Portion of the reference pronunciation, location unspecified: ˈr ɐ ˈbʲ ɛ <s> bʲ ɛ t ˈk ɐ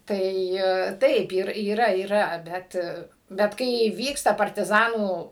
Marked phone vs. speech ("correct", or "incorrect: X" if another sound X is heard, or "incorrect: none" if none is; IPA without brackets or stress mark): incorrect: t